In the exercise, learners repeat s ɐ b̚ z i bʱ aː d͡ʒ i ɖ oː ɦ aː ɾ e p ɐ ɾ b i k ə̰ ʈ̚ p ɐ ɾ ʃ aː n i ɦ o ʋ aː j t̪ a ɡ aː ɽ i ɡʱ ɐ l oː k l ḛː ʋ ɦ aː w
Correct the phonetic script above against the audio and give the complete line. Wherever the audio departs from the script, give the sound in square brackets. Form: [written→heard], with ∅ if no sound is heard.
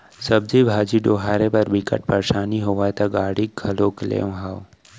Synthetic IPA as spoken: s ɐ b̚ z i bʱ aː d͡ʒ i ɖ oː ɦ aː ɾ e p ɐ ɾ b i k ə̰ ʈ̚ p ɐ ɾ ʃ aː n i ɦ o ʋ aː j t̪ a ɡ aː ɽ i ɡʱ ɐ l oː k l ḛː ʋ ɦ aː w